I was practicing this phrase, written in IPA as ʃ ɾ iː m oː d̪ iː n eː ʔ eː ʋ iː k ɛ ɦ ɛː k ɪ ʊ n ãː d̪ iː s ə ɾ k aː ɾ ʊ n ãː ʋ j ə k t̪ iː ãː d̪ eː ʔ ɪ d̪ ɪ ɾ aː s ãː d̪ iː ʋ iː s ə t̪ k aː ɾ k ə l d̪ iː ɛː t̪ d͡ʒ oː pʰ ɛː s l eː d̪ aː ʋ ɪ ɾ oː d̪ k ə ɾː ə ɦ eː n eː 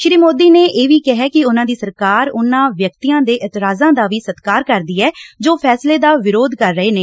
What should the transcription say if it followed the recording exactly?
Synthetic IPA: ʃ ɾ iː m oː d̪ iː n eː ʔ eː ʋ iː k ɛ ɦ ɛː k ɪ ʊ n ãː d̪ iː s ə ɾ k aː ɾ ʊ n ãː ʋ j ə k t̪ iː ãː d̪ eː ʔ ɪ t̪ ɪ ɾ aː z ãː d̪ aː ʋ iː s ə t̪ k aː ɾ k ə ɾ d̪ iː ɛː d͡ʒ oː pʰ ɛː s l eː d̪ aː ʋ ɪ ɾ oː d̪ k ə ɾː ə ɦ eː n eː

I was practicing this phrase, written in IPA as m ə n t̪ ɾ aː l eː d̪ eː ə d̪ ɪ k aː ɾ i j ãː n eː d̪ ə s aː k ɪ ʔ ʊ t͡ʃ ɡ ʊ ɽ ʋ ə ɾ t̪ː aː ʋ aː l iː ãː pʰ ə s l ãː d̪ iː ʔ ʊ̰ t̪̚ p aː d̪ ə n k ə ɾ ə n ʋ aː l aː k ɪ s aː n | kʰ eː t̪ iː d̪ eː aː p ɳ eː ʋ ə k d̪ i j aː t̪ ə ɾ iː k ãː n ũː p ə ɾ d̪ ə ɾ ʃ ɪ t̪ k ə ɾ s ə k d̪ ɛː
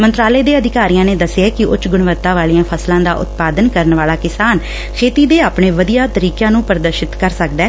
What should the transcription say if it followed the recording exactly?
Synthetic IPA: m ə n t̪ ɾ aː l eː d̪ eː ə d̪ ɪ k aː ɾ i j ãː n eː d̪ ə s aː k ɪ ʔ ʊ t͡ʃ ɡ ʊ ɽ ʋ ə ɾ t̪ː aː ʋ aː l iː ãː pʰ ə s l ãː d̪ aː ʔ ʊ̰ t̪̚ p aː d̪ ə n k ə ɾ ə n ʋ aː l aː k ɪ s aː n | kʰ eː t̪ iː d̪ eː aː p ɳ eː ʋ ə d̪ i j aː t̪ ə ɾ iː k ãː n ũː p ə ɾ d̪ ə ɾ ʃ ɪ t̪ k ə ɾ s ə k d̪ ɛː

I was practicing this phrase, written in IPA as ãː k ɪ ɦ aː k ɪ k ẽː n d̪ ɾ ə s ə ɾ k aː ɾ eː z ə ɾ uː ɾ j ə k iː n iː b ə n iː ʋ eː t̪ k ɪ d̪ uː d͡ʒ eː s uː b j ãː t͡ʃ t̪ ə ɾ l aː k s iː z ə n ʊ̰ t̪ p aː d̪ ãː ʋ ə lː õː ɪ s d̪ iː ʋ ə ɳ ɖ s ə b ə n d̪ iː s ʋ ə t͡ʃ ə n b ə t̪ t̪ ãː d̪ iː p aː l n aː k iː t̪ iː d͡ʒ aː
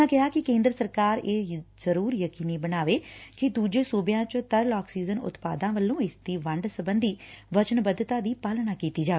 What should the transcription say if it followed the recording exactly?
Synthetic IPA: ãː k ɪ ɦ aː k ɪ k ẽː n d̪ ɾ ə s ə ɾ k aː ɾ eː z ə ɾ uː ɾ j ə k iː n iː b ə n aː ʋ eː k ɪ d̪ uː d͡ʒ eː s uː b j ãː t͡ʃ t̪ ə ɾ l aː k s iː z ə n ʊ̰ t̪ p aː d̪ ãː ʋ ə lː õː ɪ s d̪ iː ʋ ə ɳ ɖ s ə b ə n d̪ iː ʋ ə t͡ʃ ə n b ə d̪ t̪ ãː d̪ iː p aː l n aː k iː t̪ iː d͡ʒ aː

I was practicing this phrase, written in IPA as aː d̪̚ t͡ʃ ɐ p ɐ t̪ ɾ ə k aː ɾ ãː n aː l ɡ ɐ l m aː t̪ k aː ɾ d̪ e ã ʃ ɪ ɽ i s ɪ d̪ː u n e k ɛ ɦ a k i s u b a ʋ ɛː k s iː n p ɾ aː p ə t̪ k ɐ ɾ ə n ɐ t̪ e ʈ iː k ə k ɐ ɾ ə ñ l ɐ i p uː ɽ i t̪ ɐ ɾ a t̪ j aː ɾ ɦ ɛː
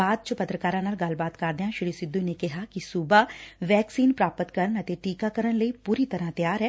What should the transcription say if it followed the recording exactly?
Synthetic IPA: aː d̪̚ t͡ʃ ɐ p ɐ t̪ ɾ ə k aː ɾ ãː n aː l ɡ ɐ l b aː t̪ k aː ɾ d̪ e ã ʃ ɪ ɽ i s ɪ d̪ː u n e k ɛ ɦ a k i s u b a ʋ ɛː k s iː n p ɾ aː p ə t̪ k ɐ ɾ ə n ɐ t̪ e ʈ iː k a k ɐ ɾ ə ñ l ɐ i p uː ɾ i t̪ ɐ ɾ a t̪ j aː ɾ ɦ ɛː

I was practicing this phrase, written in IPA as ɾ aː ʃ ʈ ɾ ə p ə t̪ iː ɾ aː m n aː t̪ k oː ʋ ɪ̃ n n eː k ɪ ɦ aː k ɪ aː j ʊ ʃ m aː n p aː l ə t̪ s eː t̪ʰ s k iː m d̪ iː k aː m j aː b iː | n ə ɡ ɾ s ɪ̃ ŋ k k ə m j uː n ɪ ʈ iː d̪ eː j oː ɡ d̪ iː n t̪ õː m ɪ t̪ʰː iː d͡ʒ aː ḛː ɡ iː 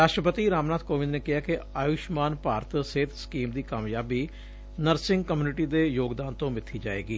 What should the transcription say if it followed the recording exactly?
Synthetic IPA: ɾ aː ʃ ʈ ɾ ə p ə t̪ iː ɾ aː m n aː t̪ k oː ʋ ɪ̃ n n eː k ɪ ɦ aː k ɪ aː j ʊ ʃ m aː n p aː ɾ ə t̪ s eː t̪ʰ s k iː m d̪ iː k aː m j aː b iː | n ə ɾ s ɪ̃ ŋ ɡ k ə m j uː n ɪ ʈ iː d̪ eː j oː ɡ d̪ aː n t̪ õː m ɪ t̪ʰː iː d͡ʒ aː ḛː ɡ iː

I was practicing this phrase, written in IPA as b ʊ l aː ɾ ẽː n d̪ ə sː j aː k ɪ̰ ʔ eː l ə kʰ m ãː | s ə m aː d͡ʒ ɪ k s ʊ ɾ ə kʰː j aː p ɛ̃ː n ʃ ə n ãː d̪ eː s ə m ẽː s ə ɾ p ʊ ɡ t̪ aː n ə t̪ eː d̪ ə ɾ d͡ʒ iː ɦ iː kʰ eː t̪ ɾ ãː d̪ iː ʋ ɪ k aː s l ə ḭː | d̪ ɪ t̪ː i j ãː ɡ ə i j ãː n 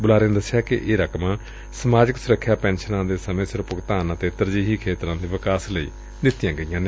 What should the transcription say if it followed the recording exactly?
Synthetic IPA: b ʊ l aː ɾ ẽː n d̪ ə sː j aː k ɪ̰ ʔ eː ɾ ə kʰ m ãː | s ə m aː d͡ʒ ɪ k s ʊ ɾ ə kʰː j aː p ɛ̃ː n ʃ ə n ãː d̪ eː s ə m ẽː s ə ɾ p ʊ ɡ t̪ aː n ə t̪ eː t̪ ə ɾ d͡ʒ iː ɦ iː kʰ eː t̪ ɾ ãː d̪ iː ʋ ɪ k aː s l ə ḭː | d̪ ɪ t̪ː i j ãː ɡ ə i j ãː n

